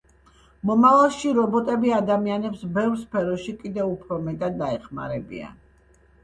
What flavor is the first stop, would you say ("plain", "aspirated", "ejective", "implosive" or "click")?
plain